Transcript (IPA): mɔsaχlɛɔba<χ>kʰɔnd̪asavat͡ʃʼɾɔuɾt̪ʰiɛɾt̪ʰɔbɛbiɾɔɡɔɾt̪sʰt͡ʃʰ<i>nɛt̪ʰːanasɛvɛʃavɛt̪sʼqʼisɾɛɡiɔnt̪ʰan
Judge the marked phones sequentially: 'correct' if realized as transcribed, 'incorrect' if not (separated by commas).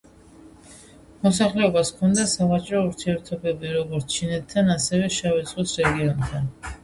incorrect, correct